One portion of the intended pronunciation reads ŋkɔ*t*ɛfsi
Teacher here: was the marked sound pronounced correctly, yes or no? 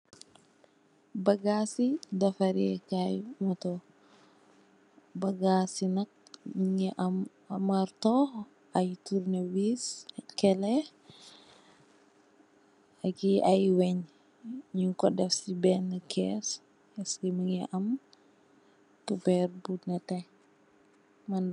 no